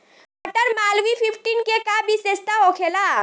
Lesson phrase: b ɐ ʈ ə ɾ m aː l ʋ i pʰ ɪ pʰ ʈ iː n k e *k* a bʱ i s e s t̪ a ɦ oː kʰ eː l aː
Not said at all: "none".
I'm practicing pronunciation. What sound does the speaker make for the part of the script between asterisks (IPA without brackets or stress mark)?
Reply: k